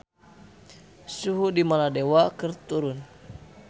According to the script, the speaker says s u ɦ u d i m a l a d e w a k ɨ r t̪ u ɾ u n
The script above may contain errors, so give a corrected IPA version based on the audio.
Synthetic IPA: s u ɦ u d i m a l a d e w a k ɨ r t̪ u ɾ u n